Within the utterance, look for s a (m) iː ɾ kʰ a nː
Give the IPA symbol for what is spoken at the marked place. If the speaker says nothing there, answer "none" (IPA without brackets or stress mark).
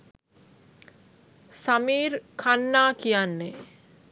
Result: m